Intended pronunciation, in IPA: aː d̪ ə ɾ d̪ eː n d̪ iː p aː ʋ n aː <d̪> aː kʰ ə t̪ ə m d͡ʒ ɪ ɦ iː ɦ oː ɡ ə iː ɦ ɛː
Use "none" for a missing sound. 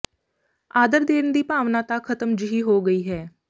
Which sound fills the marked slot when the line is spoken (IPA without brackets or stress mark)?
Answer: t̪